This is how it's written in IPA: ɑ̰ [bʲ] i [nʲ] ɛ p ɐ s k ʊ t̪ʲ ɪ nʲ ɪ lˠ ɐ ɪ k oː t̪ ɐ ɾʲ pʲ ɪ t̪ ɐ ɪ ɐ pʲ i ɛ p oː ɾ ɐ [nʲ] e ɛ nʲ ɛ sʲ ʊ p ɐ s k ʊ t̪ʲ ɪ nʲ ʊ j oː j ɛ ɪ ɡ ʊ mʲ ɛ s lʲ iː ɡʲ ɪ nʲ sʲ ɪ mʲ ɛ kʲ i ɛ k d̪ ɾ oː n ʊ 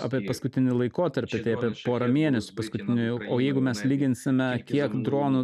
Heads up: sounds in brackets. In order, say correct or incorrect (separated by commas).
incorrect, incorrect, incorrect